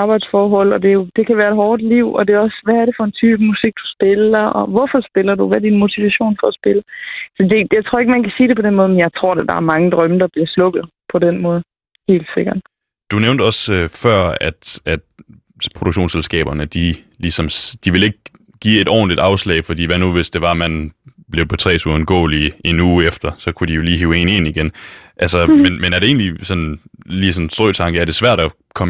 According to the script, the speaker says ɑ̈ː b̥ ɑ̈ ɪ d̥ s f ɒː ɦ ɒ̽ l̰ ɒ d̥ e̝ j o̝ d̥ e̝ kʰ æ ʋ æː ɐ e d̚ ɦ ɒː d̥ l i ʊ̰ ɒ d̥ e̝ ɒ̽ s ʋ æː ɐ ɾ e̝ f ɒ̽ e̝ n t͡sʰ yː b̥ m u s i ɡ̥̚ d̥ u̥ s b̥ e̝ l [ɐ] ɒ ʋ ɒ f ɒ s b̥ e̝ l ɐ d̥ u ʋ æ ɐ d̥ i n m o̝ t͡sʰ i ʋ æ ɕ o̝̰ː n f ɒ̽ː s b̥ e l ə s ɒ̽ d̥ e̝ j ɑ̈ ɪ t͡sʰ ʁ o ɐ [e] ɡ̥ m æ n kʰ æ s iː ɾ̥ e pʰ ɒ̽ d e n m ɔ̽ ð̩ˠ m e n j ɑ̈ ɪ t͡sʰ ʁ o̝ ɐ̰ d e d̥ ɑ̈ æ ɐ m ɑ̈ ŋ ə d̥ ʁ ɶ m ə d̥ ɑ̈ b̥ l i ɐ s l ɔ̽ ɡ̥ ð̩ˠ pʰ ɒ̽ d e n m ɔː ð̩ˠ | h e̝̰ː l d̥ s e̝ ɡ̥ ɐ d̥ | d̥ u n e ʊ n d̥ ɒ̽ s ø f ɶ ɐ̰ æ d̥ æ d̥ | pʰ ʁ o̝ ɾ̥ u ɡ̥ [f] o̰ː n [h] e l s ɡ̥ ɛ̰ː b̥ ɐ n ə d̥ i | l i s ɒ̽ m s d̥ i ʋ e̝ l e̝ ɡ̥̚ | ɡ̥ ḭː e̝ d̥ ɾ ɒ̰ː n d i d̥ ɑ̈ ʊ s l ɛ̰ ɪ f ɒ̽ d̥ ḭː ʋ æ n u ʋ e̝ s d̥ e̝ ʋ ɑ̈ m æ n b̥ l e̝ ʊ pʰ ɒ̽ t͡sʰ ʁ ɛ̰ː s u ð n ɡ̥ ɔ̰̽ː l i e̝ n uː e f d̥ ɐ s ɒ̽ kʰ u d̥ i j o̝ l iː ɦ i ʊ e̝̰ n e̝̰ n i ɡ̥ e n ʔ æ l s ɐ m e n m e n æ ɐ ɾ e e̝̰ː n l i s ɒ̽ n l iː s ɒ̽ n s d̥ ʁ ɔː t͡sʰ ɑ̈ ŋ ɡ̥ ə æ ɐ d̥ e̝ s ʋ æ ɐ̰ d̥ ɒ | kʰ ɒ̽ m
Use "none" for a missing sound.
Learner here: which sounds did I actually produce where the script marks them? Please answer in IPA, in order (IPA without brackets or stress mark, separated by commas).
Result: ɐ, e, ɕ, s